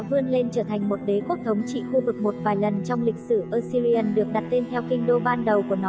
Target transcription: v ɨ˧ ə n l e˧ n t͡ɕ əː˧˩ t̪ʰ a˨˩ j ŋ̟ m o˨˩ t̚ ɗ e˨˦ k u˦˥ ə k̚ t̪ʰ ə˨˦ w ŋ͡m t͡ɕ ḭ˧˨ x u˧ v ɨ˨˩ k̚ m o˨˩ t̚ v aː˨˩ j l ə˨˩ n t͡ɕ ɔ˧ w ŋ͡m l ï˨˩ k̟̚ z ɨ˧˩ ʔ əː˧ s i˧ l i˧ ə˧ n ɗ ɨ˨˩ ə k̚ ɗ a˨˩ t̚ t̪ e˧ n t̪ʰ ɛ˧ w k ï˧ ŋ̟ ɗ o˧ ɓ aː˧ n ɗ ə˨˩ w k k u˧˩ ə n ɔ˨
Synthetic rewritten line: v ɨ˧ ə n l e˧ n t͡ɕ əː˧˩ t̪ʰ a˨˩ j ŋ̟ m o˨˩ t̚ ɗ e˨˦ k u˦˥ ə k̚ t̪ʰ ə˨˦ w ŋ͡m t͡ɕ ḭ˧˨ x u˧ v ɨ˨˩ k̚ m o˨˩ t̚ v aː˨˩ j l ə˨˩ n t͡ɕ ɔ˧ w ŋ͡m l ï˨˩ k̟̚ s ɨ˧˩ ʔ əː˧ s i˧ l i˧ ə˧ n ɗ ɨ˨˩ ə k̚ ɗ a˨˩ t̚ t̪ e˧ n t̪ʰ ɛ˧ w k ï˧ ŋ̟ ɗ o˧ ɓ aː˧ n ɗ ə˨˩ w k k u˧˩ ə n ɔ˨